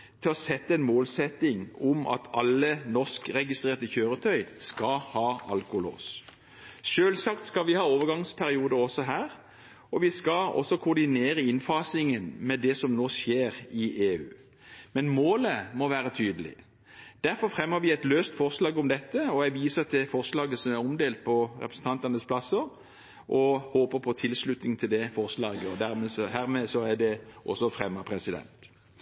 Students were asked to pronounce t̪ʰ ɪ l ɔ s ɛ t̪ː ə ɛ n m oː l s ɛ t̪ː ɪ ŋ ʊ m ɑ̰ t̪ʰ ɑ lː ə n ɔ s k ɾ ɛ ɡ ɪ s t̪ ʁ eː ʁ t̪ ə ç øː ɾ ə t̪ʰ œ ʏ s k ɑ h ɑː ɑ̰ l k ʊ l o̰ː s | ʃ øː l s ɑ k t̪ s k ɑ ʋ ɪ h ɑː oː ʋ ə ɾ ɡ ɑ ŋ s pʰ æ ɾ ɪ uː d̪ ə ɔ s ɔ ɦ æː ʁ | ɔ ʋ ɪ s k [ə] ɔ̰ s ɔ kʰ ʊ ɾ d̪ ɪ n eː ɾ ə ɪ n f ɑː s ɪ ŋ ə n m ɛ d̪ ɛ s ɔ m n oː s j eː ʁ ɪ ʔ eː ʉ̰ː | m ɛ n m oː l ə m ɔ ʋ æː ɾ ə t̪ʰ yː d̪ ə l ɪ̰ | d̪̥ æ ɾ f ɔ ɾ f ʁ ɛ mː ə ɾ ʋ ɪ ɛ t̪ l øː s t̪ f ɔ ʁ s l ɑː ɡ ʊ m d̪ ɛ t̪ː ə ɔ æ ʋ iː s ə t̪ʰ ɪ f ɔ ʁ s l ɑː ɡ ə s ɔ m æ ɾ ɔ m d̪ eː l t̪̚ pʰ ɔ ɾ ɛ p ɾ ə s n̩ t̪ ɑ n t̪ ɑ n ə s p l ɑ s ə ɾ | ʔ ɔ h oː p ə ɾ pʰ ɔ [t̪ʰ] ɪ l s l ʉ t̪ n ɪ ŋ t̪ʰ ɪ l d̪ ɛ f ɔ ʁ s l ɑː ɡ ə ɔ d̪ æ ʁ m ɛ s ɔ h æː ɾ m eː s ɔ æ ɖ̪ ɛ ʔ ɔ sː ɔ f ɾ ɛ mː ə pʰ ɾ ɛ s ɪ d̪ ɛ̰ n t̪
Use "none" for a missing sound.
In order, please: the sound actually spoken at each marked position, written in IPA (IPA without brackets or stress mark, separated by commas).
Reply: ɑ, t̪ʰ